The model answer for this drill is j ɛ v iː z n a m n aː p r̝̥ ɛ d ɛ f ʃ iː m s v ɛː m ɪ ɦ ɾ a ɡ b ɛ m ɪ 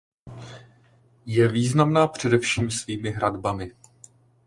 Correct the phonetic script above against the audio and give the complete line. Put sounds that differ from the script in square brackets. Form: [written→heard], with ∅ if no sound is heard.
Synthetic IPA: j ɛ v iː z n a m n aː p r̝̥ ɛ d ɛ f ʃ iː m s v [ɛː→iː] m ɪ ɦ ɾ a [ɡ→d] b [ɛ→a] m ɪ